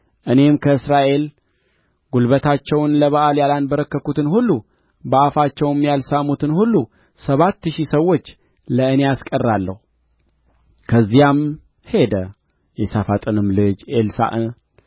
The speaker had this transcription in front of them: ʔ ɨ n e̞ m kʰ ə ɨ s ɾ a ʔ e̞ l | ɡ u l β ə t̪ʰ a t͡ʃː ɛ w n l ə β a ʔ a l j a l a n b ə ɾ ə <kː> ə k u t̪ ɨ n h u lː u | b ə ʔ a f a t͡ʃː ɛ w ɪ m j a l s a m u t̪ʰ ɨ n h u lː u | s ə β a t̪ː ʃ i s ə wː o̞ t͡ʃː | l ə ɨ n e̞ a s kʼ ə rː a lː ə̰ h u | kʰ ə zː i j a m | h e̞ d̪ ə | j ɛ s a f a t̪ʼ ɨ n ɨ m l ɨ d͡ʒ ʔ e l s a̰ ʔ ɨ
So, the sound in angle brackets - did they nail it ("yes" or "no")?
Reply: yes